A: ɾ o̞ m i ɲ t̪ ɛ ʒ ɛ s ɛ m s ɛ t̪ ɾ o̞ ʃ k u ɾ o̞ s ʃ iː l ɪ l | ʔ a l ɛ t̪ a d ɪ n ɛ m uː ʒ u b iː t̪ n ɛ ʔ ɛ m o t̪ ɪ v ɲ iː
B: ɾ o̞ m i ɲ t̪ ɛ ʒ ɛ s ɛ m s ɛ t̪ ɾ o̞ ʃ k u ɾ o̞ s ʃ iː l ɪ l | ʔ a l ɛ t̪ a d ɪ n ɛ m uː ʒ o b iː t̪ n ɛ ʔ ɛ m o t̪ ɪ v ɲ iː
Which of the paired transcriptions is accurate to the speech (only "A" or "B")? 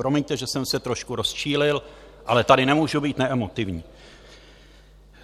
A